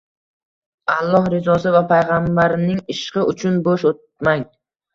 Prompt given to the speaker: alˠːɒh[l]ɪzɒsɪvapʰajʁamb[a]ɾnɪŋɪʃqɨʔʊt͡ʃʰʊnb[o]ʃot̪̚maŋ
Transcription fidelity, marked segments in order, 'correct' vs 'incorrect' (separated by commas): incorrect, correct, correct